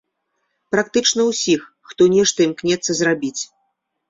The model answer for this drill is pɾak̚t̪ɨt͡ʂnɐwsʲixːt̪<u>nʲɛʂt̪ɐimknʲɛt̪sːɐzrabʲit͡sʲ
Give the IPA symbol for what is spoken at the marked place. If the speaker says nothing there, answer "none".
ɔ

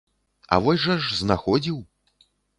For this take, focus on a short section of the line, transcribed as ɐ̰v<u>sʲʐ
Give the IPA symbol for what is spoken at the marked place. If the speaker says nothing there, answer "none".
ɔ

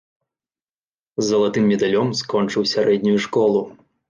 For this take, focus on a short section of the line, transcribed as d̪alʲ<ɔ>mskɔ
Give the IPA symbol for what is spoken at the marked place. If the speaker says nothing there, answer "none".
ɔ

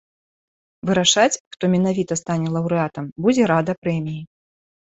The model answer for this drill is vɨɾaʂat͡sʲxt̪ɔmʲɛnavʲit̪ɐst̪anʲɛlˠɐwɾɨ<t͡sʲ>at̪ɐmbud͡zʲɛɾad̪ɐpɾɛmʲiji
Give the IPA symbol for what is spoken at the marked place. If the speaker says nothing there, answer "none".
none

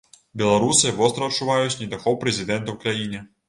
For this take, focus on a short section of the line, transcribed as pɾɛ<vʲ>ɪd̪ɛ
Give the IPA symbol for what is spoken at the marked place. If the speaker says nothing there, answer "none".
zʲ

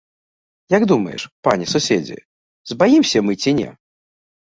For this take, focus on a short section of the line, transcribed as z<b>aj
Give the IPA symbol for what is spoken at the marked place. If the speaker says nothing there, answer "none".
b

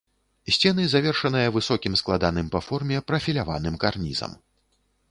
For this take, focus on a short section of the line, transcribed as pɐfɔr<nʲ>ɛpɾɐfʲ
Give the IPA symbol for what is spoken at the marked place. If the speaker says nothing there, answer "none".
mʲ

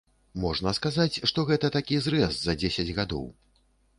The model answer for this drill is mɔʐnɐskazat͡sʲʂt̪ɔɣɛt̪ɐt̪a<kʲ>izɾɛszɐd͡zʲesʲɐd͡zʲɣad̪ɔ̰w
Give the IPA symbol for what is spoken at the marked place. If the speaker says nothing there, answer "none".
kʲ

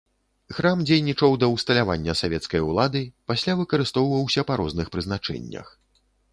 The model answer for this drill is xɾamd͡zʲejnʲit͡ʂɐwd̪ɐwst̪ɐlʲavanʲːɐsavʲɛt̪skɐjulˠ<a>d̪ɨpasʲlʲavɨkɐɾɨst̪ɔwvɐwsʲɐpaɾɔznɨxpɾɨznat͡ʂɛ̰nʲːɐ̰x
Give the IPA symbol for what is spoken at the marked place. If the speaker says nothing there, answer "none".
a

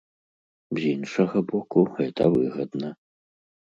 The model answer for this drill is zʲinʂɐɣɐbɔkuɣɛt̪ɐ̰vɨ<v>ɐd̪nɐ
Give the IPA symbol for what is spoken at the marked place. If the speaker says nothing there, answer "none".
ɣ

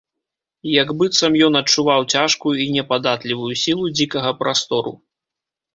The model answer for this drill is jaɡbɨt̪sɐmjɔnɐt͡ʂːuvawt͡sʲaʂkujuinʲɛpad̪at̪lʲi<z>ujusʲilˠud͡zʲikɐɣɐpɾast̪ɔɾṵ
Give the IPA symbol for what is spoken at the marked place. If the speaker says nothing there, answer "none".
v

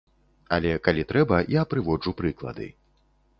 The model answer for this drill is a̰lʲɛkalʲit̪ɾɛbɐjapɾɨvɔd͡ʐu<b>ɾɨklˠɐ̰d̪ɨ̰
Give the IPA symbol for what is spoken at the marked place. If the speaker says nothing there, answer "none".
p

